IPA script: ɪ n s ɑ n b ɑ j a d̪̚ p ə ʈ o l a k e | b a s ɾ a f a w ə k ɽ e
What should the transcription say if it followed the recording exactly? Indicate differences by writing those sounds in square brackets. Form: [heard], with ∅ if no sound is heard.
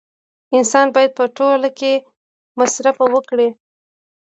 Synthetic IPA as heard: ɪ n s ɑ n b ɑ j a d̪̚ p ə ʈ o l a k e | [m] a s ɾ a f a w ə k ɽ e